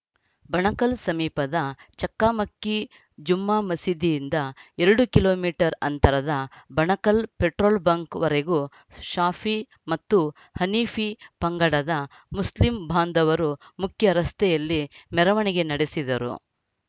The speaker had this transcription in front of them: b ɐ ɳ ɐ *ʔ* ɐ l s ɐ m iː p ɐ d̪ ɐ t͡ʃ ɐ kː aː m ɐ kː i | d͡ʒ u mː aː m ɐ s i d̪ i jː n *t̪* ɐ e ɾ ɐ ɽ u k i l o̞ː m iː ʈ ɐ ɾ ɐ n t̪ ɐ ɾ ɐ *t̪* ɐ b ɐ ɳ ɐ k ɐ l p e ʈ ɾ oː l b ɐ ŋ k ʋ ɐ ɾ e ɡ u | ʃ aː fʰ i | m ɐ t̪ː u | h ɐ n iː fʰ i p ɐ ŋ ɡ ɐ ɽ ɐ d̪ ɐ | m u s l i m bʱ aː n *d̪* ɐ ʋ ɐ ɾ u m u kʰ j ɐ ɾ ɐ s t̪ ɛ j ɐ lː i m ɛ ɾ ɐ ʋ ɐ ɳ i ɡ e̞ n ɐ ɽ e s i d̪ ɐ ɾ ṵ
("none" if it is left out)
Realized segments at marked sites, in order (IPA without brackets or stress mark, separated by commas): k, d̪, d̪, d̪